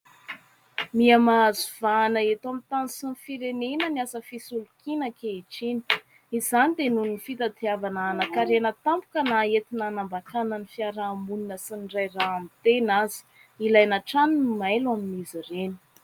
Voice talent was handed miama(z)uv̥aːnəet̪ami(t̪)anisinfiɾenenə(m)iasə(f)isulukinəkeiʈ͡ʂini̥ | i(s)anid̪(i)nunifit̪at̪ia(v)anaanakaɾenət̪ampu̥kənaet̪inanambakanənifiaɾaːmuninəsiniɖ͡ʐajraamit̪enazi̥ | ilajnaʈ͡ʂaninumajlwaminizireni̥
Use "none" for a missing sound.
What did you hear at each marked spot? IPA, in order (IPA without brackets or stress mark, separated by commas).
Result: z, t̪, n, f, z, e, v